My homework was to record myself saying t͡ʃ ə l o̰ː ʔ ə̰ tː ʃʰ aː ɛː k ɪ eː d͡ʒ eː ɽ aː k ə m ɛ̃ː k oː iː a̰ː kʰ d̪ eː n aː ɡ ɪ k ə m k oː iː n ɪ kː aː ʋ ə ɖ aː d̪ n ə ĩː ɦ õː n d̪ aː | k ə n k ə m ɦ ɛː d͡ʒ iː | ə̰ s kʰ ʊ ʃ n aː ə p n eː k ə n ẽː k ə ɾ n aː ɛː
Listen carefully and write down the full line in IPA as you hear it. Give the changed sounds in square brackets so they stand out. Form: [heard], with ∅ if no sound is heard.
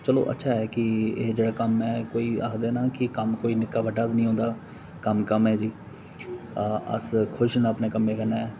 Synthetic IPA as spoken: t͡ʃ ə l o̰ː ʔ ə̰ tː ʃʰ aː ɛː k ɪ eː d͡ʒ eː ɽ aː k ə m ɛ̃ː k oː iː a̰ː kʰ d̪ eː n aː [k] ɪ k ə m k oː iː n ɪ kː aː ʋ ə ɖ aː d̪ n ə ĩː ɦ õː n d̪ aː | k ə [m] k ə m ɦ ɛː d͡ʒ iː | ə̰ s kʰ ʊ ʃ n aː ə p n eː k ə [m] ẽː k ə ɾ n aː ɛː